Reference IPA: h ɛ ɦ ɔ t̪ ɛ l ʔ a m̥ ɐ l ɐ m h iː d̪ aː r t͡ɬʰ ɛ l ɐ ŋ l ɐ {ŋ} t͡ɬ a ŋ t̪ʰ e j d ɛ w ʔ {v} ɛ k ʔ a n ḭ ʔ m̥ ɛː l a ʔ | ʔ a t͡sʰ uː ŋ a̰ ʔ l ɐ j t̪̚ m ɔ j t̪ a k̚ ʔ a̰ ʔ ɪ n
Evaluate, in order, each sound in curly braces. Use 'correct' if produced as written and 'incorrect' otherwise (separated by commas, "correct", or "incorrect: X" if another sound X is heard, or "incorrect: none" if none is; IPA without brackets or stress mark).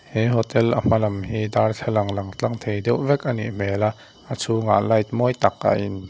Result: correct, correct